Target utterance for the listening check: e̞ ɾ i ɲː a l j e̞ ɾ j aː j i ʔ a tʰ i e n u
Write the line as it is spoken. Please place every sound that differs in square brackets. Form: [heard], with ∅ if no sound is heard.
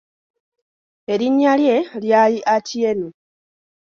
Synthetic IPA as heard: e̞ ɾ i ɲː a l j e̞ [l] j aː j i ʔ a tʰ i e n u